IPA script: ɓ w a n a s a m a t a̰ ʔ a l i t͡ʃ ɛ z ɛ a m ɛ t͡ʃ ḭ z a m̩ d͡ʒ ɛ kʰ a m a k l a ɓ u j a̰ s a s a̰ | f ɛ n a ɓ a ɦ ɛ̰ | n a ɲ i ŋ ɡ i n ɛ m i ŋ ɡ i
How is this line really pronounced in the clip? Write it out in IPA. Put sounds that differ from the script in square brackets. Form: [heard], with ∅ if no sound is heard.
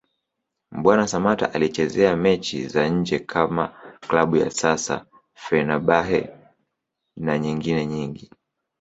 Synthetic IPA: ɓ w a n a s a m a t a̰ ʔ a l i t͡ʃ ɛ z ɛ a m ɛ t͡ʃ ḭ z a [ɲ̩] d͡ʒ ɛ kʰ a m a k l a ɓ u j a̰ s a s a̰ | f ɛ n a ɓ a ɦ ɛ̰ | n a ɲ i ŋ ɡ i n ɛ [ɲ] i ŋ ɡ i